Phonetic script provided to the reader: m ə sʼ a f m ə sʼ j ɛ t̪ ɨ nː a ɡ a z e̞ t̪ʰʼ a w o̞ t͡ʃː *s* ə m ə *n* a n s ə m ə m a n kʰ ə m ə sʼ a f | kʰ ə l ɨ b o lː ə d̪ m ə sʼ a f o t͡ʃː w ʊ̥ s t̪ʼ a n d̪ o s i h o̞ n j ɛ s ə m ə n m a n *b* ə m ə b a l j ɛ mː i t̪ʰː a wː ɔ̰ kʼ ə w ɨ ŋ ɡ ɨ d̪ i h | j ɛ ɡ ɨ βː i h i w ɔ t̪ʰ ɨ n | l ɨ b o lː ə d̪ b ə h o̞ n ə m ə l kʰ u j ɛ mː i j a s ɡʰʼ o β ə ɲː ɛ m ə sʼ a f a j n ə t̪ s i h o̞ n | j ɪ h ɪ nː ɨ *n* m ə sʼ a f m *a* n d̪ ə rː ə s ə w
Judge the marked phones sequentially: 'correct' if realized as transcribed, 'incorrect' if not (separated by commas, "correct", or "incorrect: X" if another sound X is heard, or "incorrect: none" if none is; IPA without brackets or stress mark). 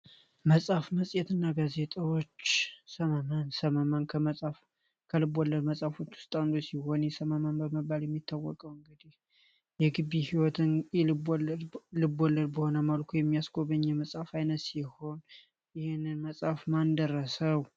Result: correct, incorrect: m, correct, correct, correct